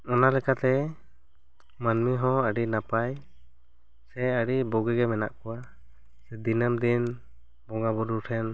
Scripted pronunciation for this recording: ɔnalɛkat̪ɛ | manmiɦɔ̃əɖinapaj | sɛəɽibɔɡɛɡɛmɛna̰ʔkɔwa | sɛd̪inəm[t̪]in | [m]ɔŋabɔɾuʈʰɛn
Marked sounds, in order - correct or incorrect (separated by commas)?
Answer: incorrect, incorrect